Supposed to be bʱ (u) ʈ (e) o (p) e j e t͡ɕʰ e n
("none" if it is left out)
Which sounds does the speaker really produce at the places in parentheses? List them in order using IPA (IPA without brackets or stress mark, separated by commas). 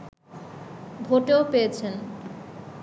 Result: o, e, p